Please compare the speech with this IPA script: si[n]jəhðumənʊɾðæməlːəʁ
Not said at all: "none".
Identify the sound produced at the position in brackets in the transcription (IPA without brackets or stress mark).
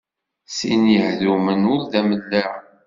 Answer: n